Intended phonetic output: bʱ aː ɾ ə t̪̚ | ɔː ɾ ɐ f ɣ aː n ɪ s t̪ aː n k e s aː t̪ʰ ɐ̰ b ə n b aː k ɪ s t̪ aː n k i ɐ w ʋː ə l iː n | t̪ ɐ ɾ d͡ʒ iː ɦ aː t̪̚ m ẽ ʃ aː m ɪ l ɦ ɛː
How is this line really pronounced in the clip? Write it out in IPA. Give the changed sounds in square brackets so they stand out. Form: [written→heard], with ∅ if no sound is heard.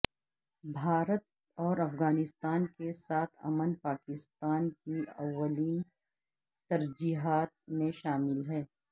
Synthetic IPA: bʱ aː ɾ ə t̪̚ | ɔː ɾ ɐ f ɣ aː n ɪ s t̪ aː n k e s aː t̪ʰ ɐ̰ [b→m] ə n [b→p] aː k ɪ s t̪ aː n k i ɐ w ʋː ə l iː n | t̪ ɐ ɾ d͡ʒ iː ɦ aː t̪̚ m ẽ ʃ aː m ɪ l ɦ ɛː